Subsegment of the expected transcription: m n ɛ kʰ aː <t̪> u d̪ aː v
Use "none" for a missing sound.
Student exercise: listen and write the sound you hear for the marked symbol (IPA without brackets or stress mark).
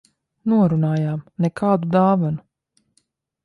d̪